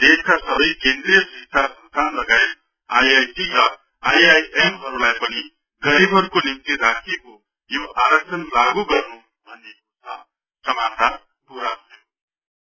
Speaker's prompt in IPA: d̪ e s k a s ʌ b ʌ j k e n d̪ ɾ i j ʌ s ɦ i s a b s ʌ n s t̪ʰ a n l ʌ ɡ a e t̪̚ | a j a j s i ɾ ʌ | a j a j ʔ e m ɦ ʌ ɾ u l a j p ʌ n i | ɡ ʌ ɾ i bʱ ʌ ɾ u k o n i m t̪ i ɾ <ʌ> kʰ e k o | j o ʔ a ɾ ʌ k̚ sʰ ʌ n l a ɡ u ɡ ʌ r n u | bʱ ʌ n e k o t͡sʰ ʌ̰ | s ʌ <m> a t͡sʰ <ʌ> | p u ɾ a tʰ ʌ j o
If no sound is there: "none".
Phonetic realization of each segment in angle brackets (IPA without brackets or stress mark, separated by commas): a, m, a